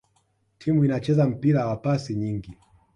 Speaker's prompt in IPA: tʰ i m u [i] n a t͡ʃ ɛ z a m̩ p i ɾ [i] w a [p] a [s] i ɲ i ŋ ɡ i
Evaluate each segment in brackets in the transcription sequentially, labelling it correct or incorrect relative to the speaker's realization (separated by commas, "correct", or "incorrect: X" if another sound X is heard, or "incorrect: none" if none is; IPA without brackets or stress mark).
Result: correct, incorrect: a, correct, correct